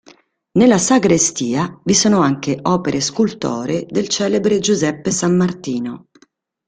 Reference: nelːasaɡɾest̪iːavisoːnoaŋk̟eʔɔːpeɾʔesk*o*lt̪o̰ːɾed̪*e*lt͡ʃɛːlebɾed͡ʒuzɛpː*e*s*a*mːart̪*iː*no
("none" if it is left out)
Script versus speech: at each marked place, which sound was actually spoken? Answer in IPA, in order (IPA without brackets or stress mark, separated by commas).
u, e, e, a, iː